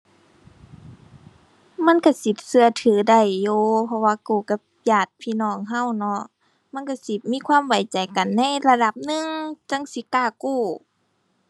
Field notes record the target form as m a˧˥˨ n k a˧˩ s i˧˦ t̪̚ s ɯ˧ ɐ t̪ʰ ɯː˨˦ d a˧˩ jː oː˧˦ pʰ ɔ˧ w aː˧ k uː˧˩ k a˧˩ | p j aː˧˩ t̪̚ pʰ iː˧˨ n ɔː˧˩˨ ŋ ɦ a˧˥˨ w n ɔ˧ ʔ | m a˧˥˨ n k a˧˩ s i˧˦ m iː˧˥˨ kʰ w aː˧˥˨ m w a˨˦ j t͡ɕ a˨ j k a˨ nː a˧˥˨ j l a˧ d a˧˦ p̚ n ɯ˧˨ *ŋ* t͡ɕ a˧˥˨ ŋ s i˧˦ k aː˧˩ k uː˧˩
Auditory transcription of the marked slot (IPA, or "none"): ŋ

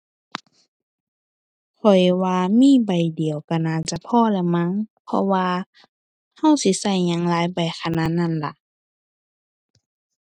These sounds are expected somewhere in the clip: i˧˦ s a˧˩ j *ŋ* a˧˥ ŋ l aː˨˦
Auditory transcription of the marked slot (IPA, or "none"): ɲ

